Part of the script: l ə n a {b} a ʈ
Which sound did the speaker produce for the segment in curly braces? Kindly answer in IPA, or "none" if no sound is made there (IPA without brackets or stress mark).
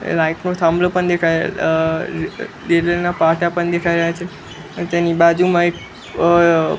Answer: p